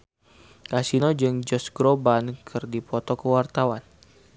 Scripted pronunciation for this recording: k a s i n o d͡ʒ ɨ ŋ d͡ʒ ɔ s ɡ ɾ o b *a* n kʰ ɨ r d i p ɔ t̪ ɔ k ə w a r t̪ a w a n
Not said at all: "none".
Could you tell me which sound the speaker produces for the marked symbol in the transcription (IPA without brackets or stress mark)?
a